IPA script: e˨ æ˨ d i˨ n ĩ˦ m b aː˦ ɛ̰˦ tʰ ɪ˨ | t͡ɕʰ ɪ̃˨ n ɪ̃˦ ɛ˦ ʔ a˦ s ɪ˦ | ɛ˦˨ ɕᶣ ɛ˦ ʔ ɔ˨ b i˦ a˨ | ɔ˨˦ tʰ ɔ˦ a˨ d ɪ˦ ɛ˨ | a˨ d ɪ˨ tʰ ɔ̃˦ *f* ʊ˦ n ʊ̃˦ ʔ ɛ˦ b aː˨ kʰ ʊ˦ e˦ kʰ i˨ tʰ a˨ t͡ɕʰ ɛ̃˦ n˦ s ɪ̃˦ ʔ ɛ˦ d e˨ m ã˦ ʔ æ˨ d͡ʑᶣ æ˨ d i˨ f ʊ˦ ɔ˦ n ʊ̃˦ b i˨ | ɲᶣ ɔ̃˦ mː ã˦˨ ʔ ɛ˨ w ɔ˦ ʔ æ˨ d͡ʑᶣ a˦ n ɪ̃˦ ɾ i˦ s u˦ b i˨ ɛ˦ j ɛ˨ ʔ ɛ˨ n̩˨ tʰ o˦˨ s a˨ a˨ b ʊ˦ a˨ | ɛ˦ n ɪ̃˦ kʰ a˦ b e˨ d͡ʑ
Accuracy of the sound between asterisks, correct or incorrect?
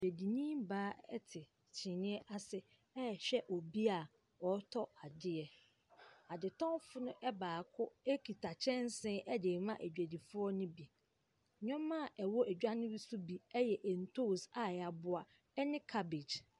correct